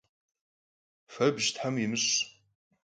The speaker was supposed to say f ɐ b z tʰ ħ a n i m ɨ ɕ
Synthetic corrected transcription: f ɐ b ʒ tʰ ħ a m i m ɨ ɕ